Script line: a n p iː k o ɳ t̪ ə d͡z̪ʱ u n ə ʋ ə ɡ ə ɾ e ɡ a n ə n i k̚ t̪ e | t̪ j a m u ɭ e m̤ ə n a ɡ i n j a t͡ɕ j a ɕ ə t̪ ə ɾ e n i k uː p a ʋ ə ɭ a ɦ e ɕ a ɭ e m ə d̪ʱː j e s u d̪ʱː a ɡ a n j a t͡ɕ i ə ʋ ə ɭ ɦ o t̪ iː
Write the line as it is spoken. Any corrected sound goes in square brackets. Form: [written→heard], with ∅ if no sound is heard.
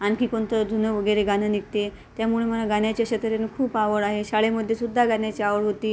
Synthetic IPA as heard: a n [p→k] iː k o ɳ t̪ ə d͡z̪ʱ u n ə ʋ ə ɡ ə ɾ e ɡ a n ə n i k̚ t̪ e | t̪ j a m u ɭ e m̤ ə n a ɡ [i→a] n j a t͡ɕ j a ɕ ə t̪ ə ɾ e n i [k→kʰ] uː p a ʋ ə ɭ a ɦ e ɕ a ɭ e m ə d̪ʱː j e s u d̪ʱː a ɡ a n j a t͡ɕ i [ə→a] ʋ ə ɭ ɦ o t̪ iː